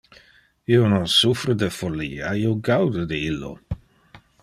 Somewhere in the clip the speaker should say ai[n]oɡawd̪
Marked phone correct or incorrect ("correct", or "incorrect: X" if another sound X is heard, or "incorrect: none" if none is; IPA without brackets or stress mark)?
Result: incorrect: none